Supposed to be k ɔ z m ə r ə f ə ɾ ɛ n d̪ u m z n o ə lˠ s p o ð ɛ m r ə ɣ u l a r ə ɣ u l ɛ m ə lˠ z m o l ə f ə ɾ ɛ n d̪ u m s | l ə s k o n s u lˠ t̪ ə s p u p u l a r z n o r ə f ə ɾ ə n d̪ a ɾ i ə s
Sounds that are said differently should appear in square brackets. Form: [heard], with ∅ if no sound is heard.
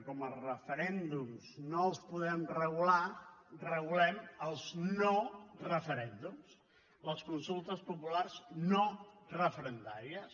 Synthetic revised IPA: k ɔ [∅] m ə r ə f ə ɾ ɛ n d̪ u m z n o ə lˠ s p [u] ð ɛ m r ə ɣ u l a r ə ɣ u l ɛ m ə lˠ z [n] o [r] ə f ə ɾ ɛ n d̪ u m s | l ə s k [u] n s u lˠ t̪ ə s p u p u l a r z n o r ə f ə ɾ ə n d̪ a ɾ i ə s